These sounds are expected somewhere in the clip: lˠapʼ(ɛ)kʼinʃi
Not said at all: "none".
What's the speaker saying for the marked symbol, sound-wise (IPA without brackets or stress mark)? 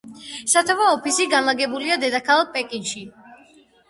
ɛ